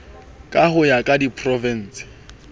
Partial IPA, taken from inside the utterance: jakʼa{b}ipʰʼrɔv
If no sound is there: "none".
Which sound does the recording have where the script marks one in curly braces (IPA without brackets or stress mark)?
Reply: d